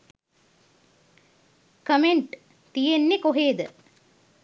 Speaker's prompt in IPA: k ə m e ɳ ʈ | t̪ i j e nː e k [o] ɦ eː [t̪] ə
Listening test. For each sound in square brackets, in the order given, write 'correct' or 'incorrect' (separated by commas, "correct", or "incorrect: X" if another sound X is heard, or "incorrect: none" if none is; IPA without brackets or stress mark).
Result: correct, incorrect: d̪